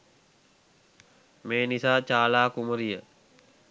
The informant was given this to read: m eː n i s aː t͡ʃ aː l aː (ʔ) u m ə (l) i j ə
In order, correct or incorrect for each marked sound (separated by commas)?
incorrect, incorrect